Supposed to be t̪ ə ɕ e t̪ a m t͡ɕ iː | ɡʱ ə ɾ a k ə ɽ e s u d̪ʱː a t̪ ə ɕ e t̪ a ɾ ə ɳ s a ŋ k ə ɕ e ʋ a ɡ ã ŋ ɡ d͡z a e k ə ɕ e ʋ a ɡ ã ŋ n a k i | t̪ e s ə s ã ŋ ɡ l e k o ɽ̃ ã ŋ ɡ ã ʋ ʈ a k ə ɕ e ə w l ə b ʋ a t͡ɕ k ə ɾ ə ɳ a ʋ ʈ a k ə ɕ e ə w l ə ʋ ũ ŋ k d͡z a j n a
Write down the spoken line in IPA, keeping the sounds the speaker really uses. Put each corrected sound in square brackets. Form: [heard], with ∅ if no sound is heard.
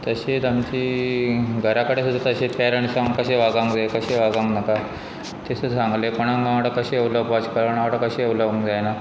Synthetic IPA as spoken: t̪ ə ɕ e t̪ a m t͡ɕ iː | ɡʱ ə ɾ a k ə ɽ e s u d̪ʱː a t̪ ə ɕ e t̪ a ɾ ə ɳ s a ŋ k ə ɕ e ʋ a ɡ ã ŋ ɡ d͡z a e k ə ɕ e ʋ a ɡ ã ŋ n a k [a] | t̪ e s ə s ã ŋ ɡ l e k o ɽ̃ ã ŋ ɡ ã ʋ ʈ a k ə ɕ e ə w l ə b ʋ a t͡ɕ k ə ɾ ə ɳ a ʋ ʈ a k ə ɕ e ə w l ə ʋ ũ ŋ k d͡z a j n a

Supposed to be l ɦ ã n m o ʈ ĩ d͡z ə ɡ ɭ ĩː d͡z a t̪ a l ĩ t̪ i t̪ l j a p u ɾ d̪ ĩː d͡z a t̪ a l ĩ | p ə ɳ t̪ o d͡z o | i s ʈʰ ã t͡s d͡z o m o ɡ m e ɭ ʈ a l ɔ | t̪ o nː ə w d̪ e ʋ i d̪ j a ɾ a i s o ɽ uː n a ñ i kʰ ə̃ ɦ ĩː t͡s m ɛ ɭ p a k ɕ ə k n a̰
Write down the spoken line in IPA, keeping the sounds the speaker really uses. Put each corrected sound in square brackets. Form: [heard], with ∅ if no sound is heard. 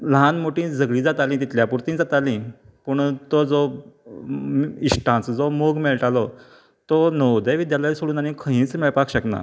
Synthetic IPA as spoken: l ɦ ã n m o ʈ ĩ d͡z ə ɡ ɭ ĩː d͡z a t̪ a l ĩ t̪ i t̪ l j a p u ɾ [t̪] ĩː d͡z a t̪ a l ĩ | p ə ɳ t̪ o d͡z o | i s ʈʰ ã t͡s d͡z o m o ɡ m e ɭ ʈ a l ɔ | t̪ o [n] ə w d̪ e ʋ i d̪ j a [l] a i s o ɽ uː n a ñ i kʰ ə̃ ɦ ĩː t͡s m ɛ ɭ p a k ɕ ə k n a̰

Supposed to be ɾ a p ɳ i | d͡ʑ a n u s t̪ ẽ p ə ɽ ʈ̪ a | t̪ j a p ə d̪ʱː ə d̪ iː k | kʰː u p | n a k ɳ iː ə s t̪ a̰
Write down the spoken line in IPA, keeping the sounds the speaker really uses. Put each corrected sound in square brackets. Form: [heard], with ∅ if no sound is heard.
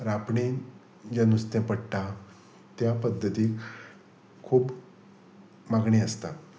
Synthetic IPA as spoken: ɾ a p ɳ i | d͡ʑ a n u s t̪ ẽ p ə ɽ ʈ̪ a | t̪ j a p ə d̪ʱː ə [t̪] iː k | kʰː [uː] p | [m] a [ɡ] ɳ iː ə s t̪ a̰

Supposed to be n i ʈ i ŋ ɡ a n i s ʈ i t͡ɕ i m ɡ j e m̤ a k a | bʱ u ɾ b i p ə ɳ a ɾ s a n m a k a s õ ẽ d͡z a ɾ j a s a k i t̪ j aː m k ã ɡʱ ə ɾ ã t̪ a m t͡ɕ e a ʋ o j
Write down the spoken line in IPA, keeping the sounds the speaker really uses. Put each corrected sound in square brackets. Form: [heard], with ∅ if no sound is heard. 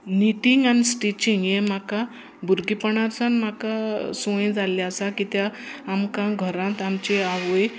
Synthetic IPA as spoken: n i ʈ i ŋ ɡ a n i s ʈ i t͡ɕ i [ŋ] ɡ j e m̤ a k a | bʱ u ɾ [ɡ] i p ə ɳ a ɾ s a n m a k a s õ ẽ d͡z a [l] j a s a k i t̪ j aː m k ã ɡʱ ə ɾ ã t̪ a m t͡ɕ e a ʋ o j

